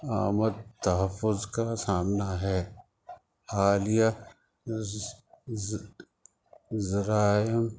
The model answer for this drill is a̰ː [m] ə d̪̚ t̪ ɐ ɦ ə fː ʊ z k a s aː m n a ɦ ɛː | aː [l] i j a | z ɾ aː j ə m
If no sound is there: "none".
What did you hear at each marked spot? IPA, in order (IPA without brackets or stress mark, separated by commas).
m, l